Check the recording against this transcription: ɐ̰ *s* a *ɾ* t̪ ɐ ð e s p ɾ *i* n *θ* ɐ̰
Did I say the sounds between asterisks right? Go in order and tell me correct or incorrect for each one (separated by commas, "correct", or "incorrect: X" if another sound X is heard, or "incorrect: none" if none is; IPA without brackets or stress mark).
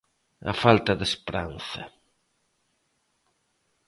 incorrect: f, incorrect: l, incorrect: a, correct